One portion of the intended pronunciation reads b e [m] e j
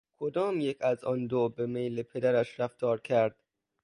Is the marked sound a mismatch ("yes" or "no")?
no